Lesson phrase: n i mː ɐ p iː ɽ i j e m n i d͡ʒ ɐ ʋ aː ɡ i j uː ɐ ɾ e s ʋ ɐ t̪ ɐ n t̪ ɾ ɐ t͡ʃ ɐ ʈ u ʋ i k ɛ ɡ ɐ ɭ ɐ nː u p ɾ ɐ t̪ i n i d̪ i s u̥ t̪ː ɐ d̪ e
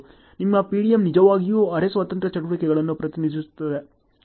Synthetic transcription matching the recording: n i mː ɐ p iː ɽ i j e m n i d͡ʒ ɐ ʋ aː ɡ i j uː ɐ ɾ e s ʋ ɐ t̪ ɐ n t̪ ɾ ɐ t͡ʃ ɐ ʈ u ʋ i k ɛ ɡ ɐ ɭ ɐ nː u p ɾ ɐ t̪ i n i d̪ i s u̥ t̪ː ɐ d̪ e